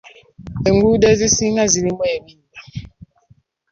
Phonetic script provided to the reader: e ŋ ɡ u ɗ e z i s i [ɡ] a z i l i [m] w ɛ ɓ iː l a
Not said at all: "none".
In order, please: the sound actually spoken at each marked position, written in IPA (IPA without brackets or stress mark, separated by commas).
ŋ, m